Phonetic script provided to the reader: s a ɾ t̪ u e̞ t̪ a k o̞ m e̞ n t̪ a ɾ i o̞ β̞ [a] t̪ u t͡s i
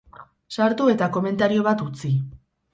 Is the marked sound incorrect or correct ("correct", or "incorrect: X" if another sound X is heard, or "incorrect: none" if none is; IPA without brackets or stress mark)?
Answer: correct